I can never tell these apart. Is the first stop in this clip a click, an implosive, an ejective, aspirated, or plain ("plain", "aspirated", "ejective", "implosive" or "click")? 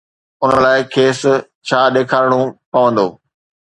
aspirated